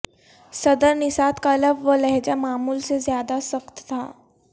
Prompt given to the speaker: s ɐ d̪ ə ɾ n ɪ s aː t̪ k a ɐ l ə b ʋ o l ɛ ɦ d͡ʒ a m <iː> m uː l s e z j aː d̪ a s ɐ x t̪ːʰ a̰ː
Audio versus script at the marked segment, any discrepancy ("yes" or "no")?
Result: yes